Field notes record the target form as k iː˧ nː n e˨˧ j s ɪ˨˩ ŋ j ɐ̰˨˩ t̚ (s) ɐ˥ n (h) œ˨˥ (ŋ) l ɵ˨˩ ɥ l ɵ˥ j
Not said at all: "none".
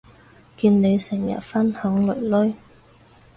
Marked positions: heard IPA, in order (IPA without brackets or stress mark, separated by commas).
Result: f, h, ŋ